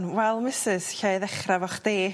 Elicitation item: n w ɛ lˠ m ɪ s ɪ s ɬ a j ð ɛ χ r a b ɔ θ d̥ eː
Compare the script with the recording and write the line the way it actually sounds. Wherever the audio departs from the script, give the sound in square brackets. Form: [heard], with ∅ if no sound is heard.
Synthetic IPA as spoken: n w ɛ lˠ m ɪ s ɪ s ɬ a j ð ɛ χ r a [v] ɔ [χ] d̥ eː